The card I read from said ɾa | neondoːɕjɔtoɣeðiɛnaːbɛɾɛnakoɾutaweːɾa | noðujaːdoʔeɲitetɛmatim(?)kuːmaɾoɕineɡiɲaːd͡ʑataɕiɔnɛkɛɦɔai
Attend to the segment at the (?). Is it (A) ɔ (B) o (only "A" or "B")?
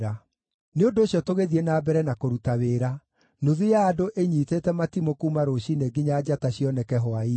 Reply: B